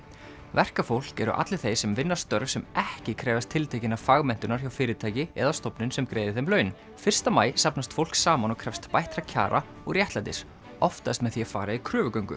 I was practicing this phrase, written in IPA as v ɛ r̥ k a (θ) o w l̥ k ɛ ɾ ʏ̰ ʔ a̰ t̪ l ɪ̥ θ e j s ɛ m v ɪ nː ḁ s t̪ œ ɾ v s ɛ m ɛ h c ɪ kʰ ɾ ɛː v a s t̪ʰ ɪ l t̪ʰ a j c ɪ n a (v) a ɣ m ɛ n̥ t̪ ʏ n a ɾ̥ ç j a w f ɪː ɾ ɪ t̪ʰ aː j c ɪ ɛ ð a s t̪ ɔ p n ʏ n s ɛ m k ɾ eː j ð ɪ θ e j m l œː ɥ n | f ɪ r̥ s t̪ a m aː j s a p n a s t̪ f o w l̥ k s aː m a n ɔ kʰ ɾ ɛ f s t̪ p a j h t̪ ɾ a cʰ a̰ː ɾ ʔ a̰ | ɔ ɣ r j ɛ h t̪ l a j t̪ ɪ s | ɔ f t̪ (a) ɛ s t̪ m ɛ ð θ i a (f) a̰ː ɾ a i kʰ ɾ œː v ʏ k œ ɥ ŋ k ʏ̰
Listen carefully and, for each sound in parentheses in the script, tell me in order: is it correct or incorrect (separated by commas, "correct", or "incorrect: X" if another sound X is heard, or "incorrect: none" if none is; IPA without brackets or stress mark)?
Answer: incorrect: f, incorrect: f, correct, correct